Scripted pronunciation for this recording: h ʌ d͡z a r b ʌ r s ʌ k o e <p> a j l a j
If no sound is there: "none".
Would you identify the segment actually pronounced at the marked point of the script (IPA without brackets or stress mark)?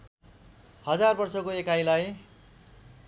k